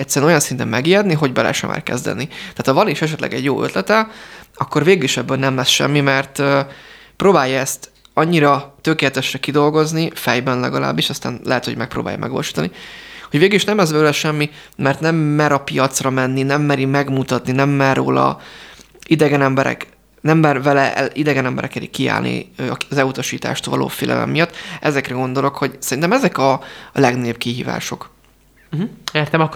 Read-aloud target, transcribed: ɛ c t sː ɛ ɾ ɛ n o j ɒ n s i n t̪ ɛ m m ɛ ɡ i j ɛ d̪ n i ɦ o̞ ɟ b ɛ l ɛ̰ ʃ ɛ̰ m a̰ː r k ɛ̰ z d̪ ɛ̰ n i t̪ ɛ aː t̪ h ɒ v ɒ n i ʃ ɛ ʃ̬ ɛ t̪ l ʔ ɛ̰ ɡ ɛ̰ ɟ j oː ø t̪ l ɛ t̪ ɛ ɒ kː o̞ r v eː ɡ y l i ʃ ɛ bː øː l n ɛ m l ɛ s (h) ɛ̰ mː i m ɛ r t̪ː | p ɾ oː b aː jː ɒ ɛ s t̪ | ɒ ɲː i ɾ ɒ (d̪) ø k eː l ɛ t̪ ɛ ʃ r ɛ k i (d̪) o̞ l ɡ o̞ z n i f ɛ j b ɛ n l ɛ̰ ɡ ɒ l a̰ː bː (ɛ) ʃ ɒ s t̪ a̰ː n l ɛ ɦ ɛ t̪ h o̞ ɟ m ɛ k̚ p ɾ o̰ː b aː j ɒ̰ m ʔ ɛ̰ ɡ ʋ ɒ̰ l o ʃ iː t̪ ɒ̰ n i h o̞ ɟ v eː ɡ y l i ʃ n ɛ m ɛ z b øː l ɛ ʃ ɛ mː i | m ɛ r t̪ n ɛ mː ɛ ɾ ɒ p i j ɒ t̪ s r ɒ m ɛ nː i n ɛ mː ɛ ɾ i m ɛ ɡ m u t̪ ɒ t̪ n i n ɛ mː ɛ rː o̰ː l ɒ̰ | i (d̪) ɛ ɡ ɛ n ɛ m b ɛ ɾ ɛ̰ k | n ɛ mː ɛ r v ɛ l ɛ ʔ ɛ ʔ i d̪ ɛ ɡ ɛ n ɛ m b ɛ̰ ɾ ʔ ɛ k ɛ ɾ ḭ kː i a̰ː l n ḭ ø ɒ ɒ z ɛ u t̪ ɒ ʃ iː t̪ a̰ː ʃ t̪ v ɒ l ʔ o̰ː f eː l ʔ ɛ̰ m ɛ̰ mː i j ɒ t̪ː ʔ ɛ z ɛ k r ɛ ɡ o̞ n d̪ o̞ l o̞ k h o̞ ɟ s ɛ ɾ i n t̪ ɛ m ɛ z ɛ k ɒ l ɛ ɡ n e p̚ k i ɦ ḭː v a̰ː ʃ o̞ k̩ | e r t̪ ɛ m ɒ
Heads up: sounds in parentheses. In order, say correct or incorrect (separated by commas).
incorrect, incorrect, correct, incorrect, correct